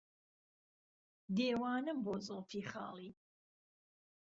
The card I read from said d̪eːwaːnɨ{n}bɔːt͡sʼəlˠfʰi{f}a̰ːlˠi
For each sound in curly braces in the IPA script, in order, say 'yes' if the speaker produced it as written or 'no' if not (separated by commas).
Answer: no, no